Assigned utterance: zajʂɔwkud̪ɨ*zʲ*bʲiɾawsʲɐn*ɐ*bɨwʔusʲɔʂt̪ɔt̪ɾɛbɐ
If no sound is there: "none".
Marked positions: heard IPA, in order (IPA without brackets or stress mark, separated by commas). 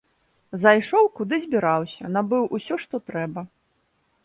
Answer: zʲ, a